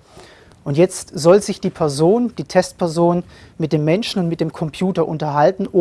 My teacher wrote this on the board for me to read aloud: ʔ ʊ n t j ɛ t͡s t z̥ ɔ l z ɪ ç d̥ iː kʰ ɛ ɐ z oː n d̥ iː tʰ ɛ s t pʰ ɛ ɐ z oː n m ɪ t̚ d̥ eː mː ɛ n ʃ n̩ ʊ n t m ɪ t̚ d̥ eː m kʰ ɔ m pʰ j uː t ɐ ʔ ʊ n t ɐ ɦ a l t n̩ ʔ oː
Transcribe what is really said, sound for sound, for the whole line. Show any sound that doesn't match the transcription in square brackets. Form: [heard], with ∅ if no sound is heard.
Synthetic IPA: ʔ ʊ n t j ɛ t͡s t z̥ ɔ l z ɪ ç d̥ iː [pʰ] ɛ ɐ z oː n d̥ iː tʰ ɛ s t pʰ ɛ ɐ z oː n m ɪ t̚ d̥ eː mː ɛ n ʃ n̩ ʊ n t m ɪ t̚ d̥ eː m kʰ ɔ m pʰ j uː t ɐ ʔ ʊ n t ɐ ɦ a l t n̩ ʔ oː

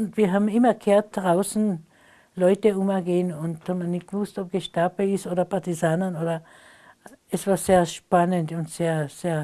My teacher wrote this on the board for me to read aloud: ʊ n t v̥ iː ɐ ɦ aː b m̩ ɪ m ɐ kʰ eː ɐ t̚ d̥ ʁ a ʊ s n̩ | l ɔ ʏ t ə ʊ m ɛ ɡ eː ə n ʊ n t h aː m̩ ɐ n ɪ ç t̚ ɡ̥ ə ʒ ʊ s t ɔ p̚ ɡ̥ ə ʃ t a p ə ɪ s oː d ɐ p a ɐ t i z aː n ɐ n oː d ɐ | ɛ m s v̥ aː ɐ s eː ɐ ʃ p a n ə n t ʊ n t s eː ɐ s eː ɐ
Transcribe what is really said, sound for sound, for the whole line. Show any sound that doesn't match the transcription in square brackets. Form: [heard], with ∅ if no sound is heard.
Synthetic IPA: ʊ n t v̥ iː ɐ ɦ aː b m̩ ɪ m ɐ kʰ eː ɐ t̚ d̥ ʁ a ʊ s n̩ | l ɔ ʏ t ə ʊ m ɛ ɡ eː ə n ʊ n t h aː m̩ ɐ n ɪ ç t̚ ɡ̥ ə [v] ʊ s t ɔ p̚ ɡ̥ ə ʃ t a p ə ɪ s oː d ɐ p a ɐ t i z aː n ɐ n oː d ɐ | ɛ [∅] s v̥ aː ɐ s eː ɐ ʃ p a n ə n t ʊ n t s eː ɐ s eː ɐ

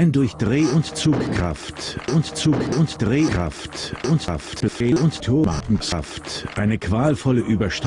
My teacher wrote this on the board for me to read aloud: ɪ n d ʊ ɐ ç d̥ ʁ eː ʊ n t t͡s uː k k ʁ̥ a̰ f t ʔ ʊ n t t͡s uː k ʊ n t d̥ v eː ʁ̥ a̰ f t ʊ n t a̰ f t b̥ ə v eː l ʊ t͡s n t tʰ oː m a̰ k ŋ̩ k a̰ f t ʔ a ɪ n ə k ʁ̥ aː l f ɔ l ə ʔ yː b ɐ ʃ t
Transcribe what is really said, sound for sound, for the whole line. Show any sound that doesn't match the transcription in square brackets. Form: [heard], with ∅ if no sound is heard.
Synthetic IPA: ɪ n d ʊ ɐ ç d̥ ʁ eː ʊ n t t͡s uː k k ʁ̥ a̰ f t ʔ ʊ n t t͡s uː k ʊ n t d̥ [ʁ] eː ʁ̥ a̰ f t ʊ n t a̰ f t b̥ ə [f] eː l ʊ [∅] n t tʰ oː m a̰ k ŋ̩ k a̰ f t ʔ a ɪ n ə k [v̥] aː l f ɔ l ə ʔ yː b ɐ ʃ t

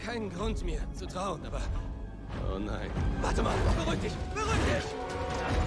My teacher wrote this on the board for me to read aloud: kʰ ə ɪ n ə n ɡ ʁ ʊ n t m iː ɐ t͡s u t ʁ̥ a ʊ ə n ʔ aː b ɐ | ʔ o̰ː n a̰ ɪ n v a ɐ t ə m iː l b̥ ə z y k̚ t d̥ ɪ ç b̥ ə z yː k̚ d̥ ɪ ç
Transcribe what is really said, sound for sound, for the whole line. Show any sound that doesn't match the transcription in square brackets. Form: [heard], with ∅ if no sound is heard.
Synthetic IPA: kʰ [a] ɪ n ə n ɡ ʁ ʊ n t m iː ɐ t͡s u t ʁ̥ a ʊ ə n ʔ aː b ɐ | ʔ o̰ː n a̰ ɪ n v a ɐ t ə m [aː] l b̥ ə [ʁ] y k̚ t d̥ ɪ ç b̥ ə [ʁ] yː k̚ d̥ ɪ ç

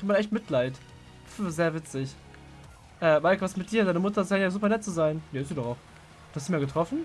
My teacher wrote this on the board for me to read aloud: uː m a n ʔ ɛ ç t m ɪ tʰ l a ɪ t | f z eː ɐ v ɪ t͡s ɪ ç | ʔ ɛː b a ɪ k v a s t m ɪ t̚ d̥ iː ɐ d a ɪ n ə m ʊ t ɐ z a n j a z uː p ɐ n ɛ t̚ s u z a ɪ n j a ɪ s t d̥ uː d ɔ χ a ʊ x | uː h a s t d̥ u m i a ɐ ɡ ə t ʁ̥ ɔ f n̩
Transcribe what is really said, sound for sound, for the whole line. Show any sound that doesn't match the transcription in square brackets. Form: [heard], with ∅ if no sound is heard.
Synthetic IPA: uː m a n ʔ ɛ ç t m ɪ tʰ l a ɪ t | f z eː ɐ v ɪ t͡s ɪ ç | ʔ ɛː [m] a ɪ k v a s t m ɪ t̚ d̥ iː ɐ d a ɪ n ə m ʊ t ɐ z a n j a z uː p ɐ n ɛ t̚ [t͡s] u z a ɪ n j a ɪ s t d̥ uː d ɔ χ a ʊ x | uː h a s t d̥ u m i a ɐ ɡ ə t ʁ̥ ɔ f n̩

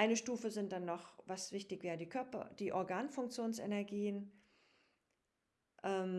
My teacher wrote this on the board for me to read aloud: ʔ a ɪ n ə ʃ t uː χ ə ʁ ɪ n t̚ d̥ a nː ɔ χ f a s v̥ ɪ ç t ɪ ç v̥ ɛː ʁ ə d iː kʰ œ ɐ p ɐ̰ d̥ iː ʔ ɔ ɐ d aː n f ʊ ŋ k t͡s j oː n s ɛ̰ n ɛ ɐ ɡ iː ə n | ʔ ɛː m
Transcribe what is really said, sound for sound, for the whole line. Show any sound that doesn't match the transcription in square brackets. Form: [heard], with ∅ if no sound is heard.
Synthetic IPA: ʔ a ɪ n ə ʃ t uː [f] ə [z] ɪ n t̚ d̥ a nː ɔ χ [v] a s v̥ ɪ ç t ɪ ç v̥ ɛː ʁ ə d iː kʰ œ ɐ p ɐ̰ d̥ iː ʔ ɔ ɐ [ɡ] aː n f ʊ ŋ k t͡s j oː n s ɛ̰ n ɛ ɐ ɡ iː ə n | ʔ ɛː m

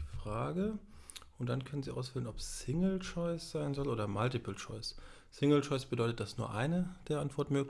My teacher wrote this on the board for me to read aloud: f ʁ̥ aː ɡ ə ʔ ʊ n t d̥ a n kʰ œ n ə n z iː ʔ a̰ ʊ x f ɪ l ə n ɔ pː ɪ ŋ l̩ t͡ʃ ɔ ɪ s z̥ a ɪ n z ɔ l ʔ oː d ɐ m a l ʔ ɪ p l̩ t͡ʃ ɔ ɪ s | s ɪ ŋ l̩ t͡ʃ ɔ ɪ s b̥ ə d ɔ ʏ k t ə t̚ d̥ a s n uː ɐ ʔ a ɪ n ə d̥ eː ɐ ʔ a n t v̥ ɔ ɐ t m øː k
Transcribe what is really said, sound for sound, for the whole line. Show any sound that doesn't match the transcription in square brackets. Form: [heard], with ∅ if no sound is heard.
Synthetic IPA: f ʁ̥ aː ɡ ə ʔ ʊ n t d̥ a n kʰ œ n ə n z iː ʔ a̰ ʊ [s] f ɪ l ə n ɔ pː ɪ ŋ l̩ t͡ʃ ɔ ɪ s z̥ a ɪ n z ɔ l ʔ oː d ɐ m a l [t] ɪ p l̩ t͡ʃ ɔ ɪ s | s ɪ ŋ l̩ t͡ʃ ɔ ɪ s b̥ ə d ɔ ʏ [∅] t ə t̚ d̥ a s n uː ɐ ʔ a ɪ n ə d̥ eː ɐ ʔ a n t v̥ ɔ ɐ t m øː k

